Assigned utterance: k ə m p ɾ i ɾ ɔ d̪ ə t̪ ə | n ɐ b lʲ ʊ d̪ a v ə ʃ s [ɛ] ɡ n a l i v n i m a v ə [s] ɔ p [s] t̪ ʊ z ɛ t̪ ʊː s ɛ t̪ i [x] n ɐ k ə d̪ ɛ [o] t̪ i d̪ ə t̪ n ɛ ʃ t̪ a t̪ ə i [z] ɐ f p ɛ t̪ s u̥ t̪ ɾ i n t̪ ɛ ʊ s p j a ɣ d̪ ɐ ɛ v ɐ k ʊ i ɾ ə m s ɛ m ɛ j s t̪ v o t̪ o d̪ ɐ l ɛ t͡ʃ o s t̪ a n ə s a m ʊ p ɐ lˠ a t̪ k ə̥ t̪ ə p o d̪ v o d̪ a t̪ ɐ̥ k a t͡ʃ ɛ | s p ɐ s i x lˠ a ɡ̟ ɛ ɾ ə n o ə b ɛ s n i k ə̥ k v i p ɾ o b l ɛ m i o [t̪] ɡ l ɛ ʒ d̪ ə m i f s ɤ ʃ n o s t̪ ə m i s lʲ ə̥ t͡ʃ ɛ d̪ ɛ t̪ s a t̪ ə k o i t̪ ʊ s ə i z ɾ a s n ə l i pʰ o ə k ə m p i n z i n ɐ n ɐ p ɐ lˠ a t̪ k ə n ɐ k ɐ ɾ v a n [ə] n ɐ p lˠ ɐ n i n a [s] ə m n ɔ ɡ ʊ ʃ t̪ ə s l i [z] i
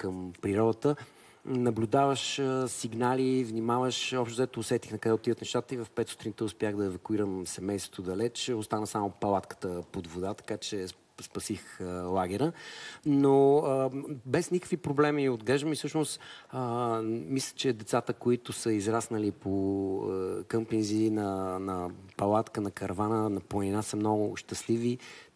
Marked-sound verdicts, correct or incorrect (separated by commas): incorrect, incorrect, incorrect, correct, correct, incorrect, incorrect, correct, correct, incorrect